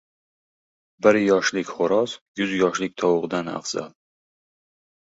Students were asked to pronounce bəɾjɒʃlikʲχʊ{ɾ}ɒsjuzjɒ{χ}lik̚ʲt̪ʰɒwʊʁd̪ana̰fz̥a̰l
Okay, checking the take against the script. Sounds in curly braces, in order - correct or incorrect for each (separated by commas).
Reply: correct, incorrect